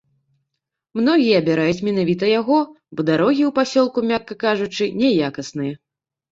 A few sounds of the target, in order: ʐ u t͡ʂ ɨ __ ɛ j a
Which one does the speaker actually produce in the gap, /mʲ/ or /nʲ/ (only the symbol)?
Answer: nʲ